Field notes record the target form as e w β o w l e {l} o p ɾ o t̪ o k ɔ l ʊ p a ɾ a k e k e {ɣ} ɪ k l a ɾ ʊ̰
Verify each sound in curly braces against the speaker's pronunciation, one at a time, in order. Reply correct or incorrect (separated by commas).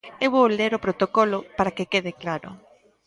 incorrect, incorrect